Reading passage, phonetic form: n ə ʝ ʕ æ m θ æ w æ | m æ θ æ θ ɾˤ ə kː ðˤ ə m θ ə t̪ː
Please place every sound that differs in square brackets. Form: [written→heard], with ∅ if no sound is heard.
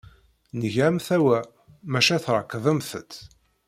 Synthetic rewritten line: n ə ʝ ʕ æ m θ æ w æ | m æ [θ→ʃ] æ θ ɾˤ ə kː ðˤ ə m θ ə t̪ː